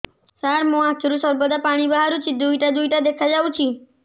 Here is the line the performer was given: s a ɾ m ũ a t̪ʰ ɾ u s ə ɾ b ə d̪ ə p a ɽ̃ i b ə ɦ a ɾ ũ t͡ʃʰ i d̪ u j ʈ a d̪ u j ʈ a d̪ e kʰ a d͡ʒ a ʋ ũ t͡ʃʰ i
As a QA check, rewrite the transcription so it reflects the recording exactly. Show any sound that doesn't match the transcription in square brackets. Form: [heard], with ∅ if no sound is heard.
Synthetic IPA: s a ɾ m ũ a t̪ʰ ɾ u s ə ɾ b ə d̪ [a] p a ɽ̃ i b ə ɦ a ɾ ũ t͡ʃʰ i d̪ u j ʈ a d̪ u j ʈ a d̪ e kʰ a d͡ʒ a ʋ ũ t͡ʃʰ i